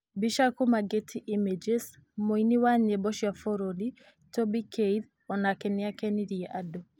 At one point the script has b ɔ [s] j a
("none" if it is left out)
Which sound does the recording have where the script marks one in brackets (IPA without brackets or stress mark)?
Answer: ʃ